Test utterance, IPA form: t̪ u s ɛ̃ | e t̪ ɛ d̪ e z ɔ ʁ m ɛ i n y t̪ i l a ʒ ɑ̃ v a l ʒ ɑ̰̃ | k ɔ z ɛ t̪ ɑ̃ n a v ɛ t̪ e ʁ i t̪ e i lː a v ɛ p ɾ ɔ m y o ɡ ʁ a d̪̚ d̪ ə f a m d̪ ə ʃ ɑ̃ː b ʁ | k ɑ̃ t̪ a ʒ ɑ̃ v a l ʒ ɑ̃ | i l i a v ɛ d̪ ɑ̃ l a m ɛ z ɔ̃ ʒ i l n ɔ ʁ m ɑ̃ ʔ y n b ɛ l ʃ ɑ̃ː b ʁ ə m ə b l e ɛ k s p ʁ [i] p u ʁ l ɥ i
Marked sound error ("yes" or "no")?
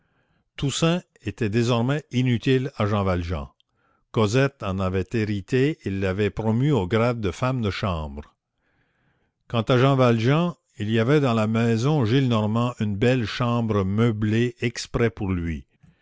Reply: yes